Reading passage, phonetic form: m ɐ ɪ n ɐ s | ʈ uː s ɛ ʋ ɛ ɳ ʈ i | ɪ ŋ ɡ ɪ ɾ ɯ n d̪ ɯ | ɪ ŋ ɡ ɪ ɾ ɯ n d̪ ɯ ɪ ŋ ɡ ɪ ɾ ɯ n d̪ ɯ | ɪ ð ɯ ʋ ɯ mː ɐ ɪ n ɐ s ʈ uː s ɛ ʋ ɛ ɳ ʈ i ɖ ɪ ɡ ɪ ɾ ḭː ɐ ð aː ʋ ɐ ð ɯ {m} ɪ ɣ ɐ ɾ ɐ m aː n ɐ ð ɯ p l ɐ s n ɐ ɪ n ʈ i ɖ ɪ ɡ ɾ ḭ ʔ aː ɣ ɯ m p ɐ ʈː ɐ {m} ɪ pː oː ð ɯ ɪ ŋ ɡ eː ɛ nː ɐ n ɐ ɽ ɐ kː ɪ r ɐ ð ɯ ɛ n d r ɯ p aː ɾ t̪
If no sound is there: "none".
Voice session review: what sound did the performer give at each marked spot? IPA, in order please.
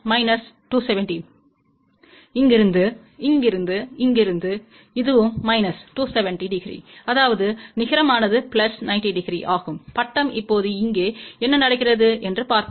n, m

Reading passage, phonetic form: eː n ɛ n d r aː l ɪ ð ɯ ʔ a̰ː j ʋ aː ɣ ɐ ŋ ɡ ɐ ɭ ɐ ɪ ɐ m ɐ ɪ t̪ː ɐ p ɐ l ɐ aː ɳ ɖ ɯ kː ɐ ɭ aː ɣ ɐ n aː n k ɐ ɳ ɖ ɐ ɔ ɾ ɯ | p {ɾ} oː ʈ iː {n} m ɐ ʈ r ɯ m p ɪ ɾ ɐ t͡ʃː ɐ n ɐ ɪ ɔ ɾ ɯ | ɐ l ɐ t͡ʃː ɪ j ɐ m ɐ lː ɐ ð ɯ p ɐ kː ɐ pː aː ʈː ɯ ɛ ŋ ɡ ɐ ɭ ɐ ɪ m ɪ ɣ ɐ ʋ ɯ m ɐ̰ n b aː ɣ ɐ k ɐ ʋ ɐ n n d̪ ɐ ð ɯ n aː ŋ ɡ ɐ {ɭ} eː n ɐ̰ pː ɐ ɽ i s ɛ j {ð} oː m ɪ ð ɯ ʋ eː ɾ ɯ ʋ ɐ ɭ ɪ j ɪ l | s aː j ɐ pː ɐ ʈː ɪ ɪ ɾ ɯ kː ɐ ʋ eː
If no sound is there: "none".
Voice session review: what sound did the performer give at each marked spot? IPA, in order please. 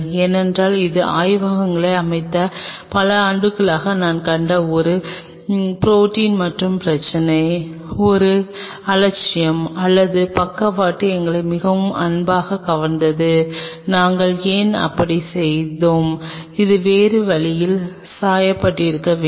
ɾ, n, ɭ, ð

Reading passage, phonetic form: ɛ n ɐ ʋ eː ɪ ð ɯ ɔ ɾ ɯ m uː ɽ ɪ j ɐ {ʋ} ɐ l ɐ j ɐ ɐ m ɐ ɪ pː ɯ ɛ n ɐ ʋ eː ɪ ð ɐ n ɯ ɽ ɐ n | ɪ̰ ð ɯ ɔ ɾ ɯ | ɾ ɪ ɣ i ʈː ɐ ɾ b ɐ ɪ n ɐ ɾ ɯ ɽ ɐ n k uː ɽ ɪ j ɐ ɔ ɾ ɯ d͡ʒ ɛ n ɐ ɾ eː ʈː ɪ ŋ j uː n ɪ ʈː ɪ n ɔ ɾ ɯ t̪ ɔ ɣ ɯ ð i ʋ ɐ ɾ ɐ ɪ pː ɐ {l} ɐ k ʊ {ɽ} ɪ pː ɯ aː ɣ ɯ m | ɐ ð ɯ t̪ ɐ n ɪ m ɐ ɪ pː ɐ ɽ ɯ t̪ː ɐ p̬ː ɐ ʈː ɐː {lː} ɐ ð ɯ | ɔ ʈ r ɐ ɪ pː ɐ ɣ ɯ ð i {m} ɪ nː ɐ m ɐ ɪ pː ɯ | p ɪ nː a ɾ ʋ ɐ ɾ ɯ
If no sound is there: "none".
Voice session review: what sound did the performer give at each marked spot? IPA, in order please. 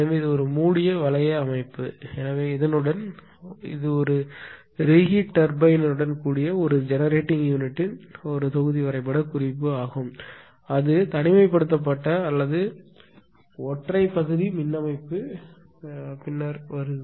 ʋ, ɽ, r, lː, m

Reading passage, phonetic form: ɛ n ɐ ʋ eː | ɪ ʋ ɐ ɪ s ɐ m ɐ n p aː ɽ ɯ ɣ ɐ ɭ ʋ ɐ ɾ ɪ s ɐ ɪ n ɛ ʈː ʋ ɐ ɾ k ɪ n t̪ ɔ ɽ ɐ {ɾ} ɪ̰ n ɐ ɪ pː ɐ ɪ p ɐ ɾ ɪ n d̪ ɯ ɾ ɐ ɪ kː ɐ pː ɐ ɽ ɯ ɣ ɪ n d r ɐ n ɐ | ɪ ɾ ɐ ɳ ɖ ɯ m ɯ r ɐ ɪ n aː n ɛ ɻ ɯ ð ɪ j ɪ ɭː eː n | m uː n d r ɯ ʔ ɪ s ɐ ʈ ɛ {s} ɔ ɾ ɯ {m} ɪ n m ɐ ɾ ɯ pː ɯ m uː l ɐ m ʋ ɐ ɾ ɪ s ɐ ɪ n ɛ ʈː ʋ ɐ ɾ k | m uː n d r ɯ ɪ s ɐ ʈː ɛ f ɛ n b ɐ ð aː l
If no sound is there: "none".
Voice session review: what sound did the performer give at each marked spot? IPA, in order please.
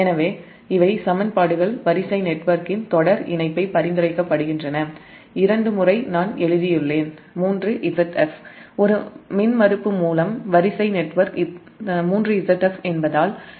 ɾ, f, m

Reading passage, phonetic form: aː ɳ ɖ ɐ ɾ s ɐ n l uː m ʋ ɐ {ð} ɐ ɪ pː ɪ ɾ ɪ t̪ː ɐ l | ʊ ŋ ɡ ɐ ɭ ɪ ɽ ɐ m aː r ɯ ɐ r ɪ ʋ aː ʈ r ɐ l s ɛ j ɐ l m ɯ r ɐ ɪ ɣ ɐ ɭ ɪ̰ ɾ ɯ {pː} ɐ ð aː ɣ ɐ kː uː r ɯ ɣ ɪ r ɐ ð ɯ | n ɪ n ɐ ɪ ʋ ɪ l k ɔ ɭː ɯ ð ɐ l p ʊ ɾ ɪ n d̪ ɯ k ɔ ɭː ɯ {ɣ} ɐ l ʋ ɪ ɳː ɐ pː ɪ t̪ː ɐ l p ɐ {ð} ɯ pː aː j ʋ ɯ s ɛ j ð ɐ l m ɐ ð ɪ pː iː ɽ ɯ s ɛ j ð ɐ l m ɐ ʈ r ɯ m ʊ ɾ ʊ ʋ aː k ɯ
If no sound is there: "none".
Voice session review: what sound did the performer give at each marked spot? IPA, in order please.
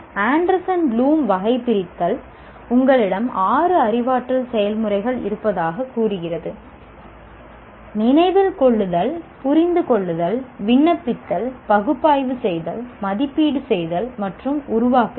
ɣ, pː, ð, ɣ

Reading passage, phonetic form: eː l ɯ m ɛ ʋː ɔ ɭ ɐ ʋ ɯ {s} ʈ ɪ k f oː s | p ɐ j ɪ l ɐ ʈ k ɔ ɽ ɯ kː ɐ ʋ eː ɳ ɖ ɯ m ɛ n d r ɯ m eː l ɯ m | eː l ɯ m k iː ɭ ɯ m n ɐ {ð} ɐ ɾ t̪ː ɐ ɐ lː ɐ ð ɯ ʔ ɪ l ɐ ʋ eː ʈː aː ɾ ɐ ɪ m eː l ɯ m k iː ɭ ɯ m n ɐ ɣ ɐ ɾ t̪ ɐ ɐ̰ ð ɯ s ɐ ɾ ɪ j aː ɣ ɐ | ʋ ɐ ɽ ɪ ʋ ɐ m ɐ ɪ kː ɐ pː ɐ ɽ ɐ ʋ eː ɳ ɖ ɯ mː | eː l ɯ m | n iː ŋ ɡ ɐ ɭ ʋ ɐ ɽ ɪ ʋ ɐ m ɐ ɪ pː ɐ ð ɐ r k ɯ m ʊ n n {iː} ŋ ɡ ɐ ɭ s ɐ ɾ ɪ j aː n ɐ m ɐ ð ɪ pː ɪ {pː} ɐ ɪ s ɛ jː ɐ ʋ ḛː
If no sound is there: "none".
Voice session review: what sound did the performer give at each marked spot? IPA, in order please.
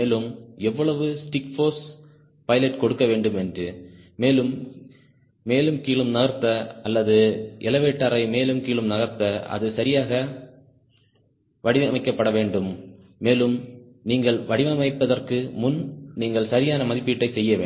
s, ɣ, iː, ʈː

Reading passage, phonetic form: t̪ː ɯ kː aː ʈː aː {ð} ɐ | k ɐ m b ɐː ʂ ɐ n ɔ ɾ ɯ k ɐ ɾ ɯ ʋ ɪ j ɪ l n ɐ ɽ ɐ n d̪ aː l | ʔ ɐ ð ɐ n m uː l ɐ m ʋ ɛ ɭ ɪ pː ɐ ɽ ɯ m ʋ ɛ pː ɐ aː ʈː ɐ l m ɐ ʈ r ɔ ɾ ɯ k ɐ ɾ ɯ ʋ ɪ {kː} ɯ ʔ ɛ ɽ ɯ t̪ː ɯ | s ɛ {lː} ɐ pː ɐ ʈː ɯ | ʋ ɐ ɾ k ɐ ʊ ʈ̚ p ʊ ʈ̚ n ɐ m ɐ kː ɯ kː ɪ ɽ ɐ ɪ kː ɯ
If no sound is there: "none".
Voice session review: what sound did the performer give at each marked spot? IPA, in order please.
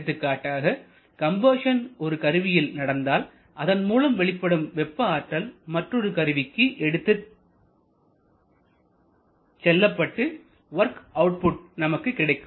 ɣ, kː, lː

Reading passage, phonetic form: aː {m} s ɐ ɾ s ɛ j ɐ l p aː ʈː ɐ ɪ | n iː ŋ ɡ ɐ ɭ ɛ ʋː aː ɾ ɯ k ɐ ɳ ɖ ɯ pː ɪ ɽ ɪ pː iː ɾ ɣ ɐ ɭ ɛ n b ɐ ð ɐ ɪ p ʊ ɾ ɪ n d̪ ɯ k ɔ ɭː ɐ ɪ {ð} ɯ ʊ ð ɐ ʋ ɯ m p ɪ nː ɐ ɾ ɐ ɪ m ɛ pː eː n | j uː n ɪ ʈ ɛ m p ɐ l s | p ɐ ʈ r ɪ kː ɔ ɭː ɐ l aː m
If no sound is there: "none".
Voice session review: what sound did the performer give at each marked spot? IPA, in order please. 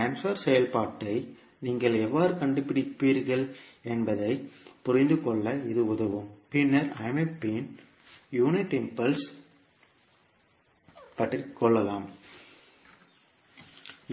n, ð

